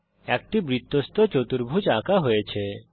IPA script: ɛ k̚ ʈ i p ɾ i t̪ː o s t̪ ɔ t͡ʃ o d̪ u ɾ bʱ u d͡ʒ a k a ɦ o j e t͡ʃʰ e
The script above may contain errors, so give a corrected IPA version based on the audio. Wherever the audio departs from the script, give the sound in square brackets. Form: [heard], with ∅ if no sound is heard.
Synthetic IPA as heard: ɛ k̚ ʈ i [b] ɾ i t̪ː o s t̪ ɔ t͡ʃ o [t̪] u ɾ bʱ u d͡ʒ a k a ɦ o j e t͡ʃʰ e